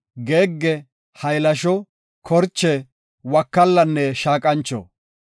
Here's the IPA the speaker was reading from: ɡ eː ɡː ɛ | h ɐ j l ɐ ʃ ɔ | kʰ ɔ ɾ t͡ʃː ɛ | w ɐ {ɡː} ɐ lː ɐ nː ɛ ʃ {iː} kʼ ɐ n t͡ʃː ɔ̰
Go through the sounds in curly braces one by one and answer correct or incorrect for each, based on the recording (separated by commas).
incorrect, incorrect